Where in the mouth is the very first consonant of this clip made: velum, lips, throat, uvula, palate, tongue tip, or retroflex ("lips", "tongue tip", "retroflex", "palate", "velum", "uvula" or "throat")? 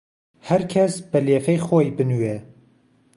throat